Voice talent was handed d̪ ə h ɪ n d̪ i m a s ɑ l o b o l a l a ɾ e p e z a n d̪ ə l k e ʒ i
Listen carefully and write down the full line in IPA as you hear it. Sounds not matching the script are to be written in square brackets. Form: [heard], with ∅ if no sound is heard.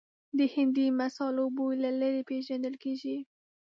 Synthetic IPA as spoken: d̪ ə h ɪ n d̪ i m a s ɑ l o b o l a l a ɾ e p e [ʒ] a n d̪ ə l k e ʒ i